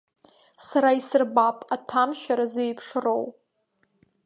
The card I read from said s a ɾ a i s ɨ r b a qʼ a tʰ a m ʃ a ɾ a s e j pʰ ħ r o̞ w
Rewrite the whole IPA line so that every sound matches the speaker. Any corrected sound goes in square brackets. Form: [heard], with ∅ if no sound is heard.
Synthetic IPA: s a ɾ a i s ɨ r b a [pʼ] a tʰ a m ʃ a ɾ a [z] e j pʰ [ʂ] r o̞ w